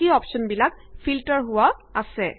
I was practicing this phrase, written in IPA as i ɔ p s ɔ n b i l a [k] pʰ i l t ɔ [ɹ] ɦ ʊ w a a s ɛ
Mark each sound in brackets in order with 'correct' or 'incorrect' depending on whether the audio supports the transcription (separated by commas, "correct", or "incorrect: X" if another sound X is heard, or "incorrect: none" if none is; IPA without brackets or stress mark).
correct, correct